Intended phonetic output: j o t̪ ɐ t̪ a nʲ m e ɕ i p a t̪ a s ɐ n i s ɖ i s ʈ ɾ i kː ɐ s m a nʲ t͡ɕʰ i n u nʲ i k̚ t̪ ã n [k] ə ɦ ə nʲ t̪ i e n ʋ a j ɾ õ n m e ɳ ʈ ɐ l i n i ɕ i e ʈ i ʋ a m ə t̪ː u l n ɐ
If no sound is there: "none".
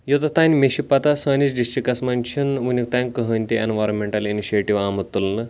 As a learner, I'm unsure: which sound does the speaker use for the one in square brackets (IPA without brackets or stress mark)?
k